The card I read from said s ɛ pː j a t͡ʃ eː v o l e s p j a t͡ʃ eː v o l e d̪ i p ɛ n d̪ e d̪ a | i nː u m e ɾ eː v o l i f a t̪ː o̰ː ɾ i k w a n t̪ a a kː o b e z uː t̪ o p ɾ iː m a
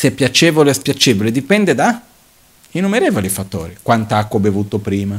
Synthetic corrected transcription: s ɛ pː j a t͡ʃ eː v o l e s p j a t͡ʃ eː v o l e d̪ i p ɛ n d̪ e d̪ a | i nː u m e ɾ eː v o l i f a t̪ː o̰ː ɾ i k w a n t̪ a a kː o b e v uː t̪ o p ɾ iː m a